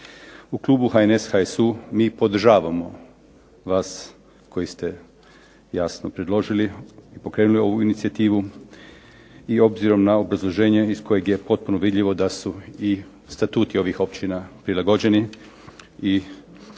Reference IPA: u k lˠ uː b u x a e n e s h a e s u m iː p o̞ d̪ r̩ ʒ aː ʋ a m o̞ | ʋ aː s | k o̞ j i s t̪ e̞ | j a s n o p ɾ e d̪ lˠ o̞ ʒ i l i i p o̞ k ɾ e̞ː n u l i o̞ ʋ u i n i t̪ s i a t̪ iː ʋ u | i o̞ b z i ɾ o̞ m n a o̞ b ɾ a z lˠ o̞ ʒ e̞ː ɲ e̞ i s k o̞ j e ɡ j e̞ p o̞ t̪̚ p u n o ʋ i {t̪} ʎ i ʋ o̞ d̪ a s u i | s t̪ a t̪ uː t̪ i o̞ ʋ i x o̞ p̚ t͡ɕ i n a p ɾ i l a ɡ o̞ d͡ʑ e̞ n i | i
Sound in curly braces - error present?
yes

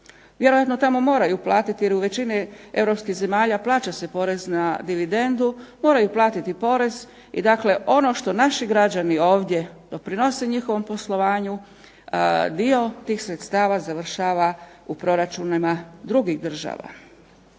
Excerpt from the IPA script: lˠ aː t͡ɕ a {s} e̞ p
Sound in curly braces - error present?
no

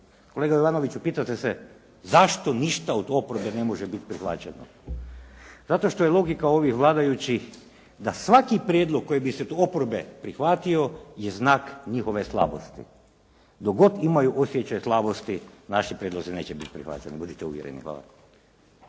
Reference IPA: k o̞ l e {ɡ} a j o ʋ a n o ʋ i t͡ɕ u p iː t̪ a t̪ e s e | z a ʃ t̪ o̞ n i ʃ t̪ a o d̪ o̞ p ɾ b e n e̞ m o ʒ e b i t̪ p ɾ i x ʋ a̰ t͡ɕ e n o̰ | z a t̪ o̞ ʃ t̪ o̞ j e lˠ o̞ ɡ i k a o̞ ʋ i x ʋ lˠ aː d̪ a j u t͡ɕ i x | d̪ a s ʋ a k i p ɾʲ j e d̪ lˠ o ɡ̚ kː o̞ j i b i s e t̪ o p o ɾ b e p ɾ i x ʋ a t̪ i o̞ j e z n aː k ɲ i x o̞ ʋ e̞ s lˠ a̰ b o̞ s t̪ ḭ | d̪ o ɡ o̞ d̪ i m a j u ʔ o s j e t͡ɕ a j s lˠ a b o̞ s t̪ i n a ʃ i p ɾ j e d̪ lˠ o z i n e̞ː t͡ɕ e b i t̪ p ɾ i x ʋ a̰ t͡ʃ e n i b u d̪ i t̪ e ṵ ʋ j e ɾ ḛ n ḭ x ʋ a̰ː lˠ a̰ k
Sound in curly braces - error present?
no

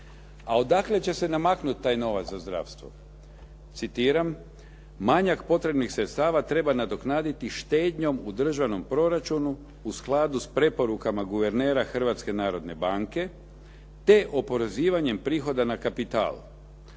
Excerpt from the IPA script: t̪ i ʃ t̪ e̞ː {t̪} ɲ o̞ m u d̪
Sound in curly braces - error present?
yes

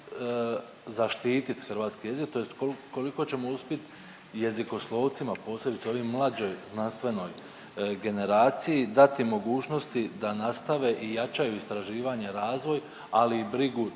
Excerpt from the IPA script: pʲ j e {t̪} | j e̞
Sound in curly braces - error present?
no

